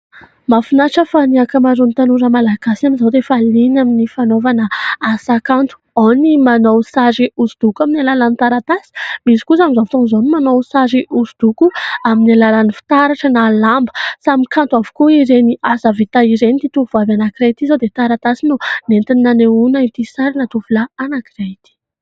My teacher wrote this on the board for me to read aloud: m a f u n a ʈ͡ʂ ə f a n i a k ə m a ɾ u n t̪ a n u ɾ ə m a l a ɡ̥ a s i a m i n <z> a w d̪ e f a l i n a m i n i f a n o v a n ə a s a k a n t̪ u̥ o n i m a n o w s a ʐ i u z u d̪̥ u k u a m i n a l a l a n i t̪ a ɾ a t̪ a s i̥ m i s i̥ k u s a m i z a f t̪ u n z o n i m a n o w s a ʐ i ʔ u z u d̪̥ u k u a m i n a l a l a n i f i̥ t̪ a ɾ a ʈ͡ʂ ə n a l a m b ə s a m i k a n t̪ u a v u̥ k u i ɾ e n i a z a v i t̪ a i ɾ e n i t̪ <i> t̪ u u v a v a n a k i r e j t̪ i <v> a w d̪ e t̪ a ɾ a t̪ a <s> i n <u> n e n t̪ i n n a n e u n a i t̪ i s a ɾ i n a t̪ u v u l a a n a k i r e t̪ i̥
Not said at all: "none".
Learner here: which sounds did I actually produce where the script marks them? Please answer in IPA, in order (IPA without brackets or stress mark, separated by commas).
z, i, z, s, u